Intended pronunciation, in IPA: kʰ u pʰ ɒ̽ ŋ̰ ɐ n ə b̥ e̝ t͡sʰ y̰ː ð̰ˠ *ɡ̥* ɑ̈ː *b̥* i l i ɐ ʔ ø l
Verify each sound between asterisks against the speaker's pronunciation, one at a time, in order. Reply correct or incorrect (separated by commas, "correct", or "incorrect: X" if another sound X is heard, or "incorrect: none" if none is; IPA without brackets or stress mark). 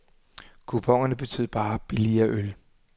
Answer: incorrect: b̥, correct